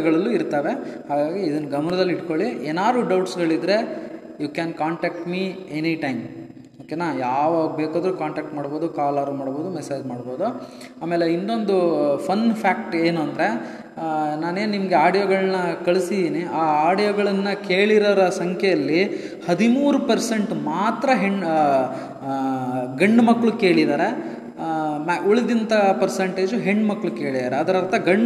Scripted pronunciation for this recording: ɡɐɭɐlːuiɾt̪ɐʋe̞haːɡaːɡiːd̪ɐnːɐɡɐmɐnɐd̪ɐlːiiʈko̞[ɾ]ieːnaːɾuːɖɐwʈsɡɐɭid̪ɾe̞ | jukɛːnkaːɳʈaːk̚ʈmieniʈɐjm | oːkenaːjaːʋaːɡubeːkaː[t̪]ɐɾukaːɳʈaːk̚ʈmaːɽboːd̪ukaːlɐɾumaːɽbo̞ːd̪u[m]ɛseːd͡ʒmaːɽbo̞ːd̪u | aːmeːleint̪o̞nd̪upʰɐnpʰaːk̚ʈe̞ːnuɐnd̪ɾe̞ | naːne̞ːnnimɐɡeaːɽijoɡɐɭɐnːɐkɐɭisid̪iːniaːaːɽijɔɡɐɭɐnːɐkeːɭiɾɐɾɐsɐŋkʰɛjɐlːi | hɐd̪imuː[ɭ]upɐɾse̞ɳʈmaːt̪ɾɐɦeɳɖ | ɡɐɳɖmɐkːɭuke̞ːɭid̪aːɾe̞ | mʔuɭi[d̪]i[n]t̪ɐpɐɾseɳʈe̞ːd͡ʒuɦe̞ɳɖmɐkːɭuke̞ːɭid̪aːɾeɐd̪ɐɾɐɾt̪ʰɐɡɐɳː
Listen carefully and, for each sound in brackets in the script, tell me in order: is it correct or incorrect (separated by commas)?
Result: incorrect, incorrect, correct, incorrect, correct, correct